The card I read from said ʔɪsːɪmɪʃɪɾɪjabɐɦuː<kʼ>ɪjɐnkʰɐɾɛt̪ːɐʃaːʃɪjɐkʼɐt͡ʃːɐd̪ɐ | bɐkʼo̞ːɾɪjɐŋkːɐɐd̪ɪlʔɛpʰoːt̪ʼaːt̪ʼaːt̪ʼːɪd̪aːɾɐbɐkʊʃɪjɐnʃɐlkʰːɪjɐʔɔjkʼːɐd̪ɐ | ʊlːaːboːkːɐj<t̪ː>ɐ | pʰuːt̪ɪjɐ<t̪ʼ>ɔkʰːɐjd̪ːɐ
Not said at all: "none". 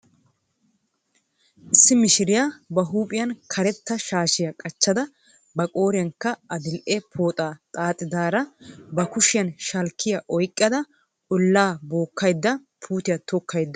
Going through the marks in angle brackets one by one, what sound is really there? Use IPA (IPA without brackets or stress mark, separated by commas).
pʼ, d̪ː, t̪